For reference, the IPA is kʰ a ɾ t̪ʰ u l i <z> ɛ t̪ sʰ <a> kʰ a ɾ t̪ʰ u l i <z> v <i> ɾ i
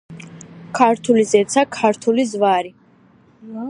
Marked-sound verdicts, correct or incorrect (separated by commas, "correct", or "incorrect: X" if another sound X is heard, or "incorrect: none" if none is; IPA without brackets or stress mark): correct, correct, correct, incorrect: a